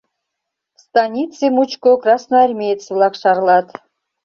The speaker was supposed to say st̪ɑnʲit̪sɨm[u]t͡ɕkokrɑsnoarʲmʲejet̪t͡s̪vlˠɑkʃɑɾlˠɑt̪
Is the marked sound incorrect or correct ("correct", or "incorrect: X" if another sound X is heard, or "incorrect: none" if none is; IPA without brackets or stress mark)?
correct